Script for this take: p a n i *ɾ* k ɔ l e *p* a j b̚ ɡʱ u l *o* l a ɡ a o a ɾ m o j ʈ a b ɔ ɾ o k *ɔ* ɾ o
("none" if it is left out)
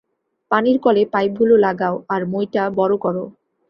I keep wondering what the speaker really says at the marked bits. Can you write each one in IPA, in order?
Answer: ɾ, p, o, ɔ

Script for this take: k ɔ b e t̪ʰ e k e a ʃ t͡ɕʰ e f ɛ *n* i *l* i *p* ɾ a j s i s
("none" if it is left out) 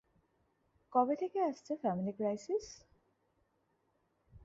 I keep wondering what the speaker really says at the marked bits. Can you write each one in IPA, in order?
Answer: m, l, k

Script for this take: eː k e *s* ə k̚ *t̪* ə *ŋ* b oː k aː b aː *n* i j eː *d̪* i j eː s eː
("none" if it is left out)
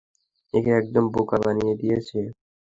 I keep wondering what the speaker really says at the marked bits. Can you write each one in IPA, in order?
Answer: none, d̪, m, n, d̪

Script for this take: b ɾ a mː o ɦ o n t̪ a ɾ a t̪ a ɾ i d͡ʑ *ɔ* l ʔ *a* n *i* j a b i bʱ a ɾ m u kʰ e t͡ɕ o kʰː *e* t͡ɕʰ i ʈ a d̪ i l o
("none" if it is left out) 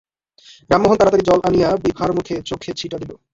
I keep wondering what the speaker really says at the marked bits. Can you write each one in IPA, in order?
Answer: ɔ, a, i, e

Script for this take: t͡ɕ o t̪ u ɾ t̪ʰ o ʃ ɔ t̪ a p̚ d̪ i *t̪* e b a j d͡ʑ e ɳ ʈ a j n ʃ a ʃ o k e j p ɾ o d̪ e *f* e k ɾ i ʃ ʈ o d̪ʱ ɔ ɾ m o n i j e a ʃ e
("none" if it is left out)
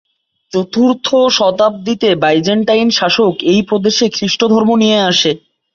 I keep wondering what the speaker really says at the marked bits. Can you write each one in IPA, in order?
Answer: t̪, ʃ

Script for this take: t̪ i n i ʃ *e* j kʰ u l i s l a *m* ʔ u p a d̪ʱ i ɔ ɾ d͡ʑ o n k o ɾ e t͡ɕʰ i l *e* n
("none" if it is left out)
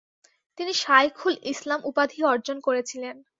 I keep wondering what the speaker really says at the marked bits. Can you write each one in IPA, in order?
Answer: a, m, e

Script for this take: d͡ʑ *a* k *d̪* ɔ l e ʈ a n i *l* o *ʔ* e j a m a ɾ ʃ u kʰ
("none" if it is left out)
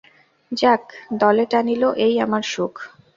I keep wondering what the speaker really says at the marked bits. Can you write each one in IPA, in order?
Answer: a, d̪, l, ʔ

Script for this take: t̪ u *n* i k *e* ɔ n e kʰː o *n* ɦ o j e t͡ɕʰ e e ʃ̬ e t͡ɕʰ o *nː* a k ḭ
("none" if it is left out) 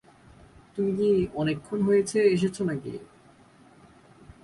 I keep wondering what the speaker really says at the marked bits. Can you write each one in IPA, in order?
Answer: m, i, n, n

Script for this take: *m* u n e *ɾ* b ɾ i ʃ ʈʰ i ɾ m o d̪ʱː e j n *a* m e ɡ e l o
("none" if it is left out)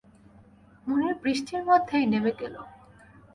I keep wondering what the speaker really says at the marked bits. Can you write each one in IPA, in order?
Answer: m, ɾ, e

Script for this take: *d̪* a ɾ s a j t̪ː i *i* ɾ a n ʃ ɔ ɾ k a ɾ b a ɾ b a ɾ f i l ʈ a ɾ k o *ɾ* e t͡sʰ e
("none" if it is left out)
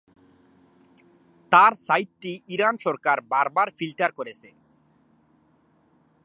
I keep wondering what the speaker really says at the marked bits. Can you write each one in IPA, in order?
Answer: t̪, i, ɾ

